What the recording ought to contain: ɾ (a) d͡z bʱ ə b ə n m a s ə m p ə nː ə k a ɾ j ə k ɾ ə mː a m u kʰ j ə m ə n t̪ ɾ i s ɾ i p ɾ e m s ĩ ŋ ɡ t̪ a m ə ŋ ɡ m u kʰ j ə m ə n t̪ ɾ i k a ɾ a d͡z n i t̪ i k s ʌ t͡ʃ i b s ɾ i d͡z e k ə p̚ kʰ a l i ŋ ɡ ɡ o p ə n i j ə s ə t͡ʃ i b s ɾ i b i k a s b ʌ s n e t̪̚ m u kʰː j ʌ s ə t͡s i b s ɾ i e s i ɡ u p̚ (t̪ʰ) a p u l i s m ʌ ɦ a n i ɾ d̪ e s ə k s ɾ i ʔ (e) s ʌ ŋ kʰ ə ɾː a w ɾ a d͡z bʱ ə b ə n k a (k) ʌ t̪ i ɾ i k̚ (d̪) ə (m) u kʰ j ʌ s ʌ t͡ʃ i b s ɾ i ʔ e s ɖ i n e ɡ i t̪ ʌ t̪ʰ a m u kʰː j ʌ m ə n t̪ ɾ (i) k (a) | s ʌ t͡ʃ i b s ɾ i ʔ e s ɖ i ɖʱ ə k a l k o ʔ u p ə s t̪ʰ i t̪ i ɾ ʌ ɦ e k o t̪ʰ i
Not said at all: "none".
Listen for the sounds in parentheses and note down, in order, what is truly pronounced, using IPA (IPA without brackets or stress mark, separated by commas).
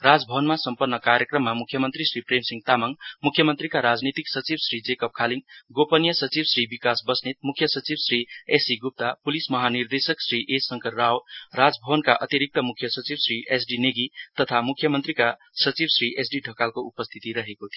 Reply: a, t̪, e, ʔ, t̪, m, i, a